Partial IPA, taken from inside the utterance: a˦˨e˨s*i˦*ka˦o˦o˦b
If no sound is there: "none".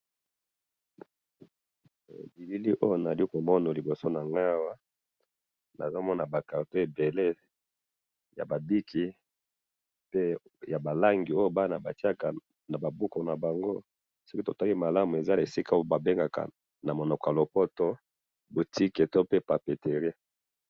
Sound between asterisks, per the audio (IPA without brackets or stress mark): i˦